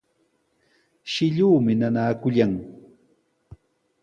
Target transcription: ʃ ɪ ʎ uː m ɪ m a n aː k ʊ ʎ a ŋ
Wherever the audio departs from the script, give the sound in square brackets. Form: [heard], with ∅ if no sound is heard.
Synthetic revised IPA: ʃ ɪ ʎ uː m ɪ [n] a n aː k ʊ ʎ a ŋ